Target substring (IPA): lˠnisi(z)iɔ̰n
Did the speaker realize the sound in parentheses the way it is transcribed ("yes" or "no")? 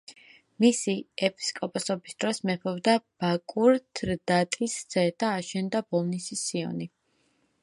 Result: no